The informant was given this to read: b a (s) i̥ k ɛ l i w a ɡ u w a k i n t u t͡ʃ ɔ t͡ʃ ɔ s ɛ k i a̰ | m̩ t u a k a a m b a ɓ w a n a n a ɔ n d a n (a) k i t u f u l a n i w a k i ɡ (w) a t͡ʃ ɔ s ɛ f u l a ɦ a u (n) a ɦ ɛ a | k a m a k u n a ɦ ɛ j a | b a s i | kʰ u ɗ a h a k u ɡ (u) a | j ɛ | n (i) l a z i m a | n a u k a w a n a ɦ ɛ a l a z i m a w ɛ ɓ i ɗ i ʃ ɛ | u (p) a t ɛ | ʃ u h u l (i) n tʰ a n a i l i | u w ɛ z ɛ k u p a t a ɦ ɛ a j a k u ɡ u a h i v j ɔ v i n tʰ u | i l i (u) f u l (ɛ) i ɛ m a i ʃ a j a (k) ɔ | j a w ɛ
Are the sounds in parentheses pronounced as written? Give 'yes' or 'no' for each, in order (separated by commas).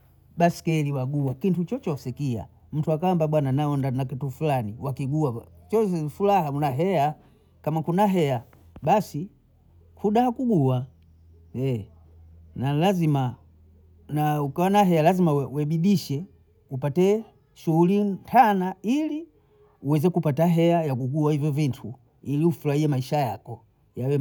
yes, yes, no, yes, yes, no, yes, yes, yes, no, yes